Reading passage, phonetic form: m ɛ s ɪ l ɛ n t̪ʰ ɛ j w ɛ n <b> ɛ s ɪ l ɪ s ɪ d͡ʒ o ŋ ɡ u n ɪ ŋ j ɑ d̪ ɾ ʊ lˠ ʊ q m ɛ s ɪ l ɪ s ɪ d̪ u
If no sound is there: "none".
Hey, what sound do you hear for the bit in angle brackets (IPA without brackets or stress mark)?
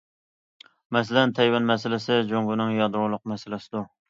m